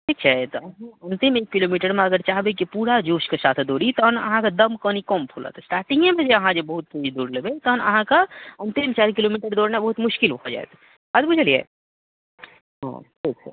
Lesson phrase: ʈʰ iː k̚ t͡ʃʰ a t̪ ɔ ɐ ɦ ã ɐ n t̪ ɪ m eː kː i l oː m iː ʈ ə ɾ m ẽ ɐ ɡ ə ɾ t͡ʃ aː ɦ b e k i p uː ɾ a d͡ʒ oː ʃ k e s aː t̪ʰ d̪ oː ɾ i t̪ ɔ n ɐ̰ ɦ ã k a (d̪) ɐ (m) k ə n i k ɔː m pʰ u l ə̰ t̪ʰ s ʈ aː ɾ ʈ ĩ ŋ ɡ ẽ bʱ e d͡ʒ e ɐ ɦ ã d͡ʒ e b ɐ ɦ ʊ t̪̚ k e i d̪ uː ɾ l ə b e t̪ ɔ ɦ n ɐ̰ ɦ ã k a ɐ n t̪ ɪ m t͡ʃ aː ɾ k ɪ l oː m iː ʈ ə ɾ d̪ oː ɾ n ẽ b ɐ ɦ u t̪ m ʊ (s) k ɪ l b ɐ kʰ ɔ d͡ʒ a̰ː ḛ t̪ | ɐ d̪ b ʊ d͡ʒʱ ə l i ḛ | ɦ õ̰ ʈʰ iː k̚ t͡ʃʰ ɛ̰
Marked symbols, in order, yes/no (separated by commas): yes, yes, no